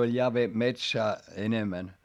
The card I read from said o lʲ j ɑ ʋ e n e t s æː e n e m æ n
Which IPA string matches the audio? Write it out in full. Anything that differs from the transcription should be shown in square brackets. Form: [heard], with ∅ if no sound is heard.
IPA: o lʲ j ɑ ʋ e [m] e t s æː e n e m æ n

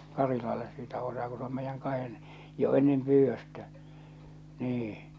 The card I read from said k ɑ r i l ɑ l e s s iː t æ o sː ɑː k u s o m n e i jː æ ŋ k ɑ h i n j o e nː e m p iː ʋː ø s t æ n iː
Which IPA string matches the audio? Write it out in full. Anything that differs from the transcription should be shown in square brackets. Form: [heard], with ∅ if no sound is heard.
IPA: k ɑ r i l ɑ [lː] e s s iː t æ o [s] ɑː k u s o m [m] e i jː æ ŋ k ɑ h [e] n j o e nː e m p [yː] ʋː ø s t æ n iː

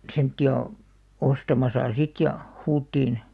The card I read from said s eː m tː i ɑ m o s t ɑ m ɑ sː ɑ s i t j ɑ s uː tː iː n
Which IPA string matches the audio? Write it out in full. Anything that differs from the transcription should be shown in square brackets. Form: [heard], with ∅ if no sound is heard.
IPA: s [e] m tː i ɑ [∅] o s t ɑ m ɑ [s] ɑ s i t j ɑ [h] uː tː iː n

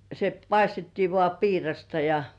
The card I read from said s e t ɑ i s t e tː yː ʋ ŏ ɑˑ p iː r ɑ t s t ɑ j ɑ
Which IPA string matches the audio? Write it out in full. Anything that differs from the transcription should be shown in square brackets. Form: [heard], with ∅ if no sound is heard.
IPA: s e [p] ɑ i s t e tː [iː] ʋ ŏ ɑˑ p iː r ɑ [∅] s t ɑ j ɑ

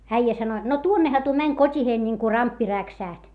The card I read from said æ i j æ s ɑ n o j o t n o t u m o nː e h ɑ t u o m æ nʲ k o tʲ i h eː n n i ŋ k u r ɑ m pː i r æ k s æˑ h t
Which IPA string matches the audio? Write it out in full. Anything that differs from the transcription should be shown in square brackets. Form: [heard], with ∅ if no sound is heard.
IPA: æ i j æ s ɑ n o j o t n o t u [∅] o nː e h ɑ t u o m æ nʲ k o tʲ i h eː n n i ŋ k u r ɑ m pː i r æ k s æˑ h t

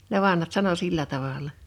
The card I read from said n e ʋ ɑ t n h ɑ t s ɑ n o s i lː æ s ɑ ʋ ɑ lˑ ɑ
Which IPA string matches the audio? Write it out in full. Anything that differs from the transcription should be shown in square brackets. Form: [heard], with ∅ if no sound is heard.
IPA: n e ʋ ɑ [∅] n h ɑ t s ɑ n o s i lː æ [t] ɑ ʋ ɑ lˑ ɑ

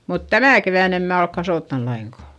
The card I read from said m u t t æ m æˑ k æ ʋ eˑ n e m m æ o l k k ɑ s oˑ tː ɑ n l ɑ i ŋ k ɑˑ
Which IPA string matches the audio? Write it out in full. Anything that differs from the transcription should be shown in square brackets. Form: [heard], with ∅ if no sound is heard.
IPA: m u t t æ m æˑ k [e] ʋ [æˑ] n e m m [æː] o l k k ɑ s oˑ tː ɑ n l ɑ i ŋ k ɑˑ

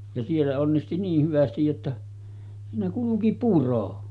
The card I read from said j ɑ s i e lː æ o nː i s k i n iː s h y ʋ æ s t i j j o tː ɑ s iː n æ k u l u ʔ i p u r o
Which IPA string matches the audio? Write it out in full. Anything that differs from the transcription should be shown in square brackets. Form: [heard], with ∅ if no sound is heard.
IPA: j ɑ s i e lː æ o nː i s [t] i n iː [h] h y ʋ æ s t i j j o tː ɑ s iː n æ k u l u [k] i p u r o

